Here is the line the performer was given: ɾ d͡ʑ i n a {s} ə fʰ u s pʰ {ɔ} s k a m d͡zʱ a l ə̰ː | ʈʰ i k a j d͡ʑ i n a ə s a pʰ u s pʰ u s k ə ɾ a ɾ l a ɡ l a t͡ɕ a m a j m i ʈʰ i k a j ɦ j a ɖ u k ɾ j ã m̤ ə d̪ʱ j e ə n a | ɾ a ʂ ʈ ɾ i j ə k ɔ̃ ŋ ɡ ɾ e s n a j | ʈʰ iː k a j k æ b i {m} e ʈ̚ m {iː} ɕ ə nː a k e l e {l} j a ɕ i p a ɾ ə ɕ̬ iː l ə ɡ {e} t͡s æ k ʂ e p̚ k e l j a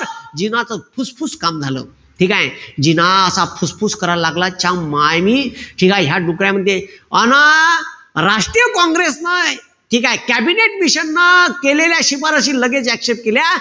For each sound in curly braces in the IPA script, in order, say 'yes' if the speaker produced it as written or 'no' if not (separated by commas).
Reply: no, no, no, no, yes, yes